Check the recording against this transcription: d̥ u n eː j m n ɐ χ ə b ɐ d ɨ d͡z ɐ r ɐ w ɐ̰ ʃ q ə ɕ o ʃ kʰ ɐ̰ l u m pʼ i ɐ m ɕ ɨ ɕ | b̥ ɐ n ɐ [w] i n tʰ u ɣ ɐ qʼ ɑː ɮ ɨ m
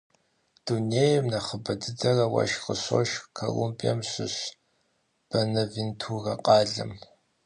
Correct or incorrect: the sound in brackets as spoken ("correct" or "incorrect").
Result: incorrect